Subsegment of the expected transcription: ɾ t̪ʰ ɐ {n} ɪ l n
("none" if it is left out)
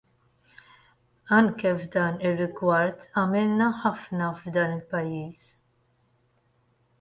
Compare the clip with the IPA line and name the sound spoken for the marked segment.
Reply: m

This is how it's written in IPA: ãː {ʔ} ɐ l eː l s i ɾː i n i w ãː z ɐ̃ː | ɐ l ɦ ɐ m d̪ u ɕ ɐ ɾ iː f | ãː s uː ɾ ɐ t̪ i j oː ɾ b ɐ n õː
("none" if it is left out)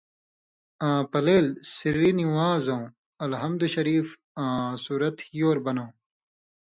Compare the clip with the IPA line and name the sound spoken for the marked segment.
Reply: p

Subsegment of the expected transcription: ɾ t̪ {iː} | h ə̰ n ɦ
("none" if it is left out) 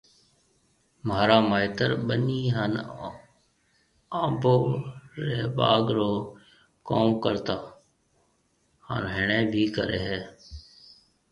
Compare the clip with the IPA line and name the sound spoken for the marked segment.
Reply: aː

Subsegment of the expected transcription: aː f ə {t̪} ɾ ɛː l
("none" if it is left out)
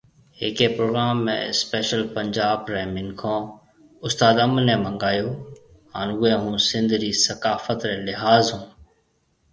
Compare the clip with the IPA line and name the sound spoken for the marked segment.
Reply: t̪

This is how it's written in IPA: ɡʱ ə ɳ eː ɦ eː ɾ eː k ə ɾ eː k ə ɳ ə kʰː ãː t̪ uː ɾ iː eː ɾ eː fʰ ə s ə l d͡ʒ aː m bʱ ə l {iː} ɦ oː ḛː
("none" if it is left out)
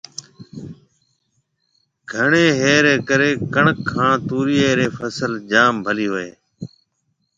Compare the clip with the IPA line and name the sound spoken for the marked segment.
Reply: iː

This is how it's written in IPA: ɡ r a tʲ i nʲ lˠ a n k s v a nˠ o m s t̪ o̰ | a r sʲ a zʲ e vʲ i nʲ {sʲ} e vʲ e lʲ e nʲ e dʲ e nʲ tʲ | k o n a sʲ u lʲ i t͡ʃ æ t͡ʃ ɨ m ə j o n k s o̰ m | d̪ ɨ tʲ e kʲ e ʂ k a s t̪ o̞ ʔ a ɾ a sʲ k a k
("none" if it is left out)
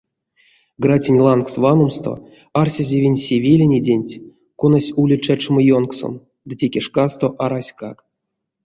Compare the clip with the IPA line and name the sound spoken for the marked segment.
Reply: sʲ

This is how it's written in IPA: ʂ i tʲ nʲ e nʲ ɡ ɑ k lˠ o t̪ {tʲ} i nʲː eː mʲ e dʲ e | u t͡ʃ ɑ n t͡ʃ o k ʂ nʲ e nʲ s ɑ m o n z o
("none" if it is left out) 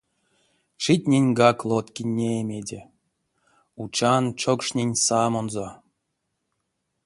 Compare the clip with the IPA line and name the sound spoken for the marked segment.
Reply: kʲ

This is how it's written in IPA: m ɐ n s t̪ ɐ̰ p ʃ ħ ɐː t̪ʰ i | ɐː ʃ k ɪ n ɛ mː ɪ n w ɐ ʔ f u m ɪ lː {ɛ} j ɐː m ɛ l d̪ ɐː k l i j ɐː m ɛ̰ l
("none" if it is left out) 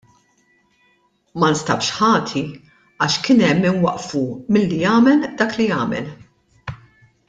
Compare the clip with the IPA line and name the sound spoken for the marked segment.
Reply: i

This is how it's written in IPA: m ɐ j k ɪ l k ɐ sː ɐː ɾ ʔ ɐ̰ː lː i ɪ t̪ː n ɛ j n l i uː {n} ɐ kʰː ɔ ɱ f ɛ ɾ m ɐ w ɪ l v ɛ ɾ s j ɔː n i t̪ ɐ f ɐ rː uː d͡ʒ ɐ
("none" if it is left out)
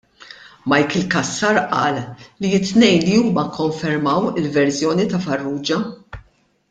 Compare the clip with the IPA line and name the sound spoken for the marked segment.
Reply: m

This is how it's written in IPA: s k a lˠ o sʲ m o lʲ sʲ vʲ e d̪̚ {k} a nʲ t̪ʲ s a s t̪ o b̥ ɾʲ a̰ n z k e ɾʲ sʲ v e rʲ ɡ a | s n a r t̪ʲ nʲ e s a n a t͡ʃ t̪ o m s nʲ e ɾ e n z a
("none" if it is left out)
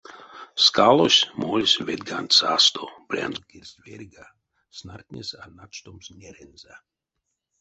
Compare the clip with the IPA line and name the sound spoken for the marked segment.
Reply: ɡ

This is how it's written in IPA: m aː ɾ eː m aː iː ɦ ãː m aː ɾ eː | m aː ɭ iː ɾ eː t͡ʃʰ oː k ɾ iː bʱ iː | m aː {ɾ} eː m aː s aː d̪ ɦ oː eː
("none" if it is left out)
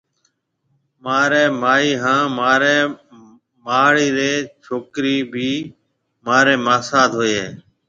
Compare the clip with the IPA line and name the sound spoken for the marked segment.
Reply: ɾ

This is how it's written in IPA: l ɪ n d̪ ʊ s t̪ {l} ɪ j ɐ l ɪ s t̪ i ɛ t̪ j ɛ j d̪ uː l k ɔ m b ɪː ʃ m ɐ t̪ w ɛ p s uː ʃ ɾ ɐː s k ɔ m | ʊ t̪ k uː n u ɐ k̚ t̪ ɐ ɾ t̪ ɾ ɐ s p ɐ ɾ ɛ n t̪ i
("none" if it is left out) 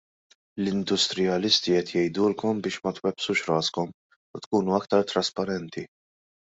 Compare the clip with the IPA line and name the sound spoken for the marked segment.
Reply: ɾ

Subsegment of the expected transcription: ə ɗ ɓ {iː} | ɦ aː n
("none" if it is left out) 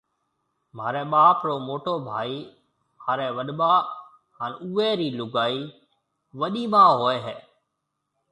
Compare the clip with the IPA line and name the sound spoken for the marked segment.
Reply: aː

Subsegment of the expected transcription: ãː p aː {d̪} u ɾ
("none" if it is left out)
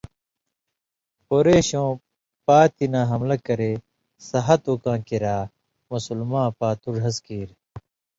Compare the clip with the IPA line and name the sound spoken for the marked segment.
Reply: t̪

